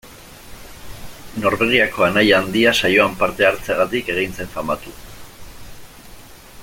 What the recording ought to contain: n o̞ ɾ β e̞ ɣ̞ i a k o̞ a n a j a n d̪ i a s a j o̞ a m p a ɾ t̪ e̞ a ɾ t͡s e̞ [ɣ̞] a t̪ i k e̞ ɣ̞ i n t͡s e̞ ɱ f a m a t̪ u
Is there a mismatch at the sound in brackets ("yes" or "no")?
no